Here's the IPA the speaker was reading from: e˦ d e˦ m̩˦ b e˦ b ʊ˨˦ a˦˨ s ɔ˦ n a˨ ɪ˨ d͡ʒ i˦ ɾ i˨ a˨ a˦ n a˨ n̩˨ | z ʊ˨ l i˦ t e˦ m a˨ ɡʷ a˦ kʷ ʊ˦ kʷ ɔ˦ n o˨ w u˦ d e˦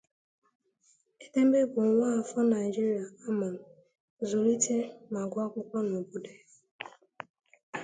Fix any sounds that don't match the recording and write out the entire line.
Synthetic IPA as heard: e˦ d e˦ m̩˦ b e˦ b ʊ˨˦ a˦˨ f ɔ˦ n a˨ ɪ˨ d͡ʒ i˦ ɾ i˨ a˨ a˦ m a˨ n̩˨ | z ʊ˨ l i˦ t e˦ m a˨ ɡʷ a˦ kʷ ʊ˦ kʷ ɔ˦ n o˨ b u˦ d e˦

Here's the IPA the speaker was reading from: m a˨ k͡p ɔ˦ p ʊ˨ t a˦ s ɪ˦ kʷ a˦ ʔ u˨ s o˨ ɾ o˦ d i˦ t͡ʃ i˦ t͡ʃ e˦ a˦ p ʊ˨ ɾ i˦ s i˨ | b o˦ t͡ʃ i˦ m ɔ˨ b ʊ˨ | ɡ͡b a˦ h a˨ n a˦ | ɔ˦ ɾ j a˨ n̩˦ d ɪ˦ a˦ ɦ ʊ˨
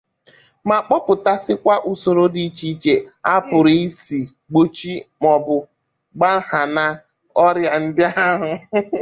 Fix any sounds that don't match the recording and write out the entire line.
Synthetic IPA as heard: m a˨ k͡p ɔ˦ p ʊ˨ t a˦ s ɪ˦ kʷ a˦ ʔ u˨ s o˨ ɾ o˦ d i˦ t͡ʃ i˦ t͡ʃ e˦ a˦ p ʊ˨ ɾ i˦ s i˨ | ɡ͡b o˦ t͡ʃ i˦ m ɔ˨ b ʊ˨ | ɡ͡b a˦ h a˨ n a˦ | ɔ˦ ɾ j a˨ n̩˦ d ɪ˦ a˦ ɦ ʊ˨

